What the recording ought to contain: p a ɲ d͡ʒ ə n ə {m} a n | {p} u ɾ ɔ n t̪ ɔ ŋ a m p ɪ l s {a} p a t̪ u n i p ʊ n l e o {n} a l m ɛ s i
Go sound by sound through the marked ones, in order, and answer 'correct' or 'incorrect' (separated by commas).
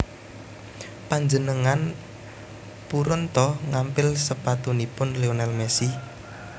incorrect, correct, incorrect, correct